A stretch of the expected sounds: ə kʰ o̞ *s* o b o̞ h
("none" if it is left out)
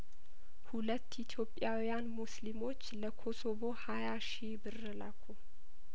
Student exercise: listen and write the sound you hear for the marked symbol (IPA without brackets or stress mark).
s